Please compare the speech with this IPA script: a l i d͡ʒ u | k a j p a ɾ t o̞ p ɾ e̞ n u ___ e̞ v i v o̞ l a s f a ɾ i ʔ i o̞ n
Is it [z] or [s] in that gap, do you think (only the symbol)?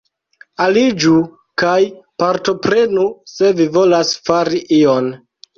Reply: s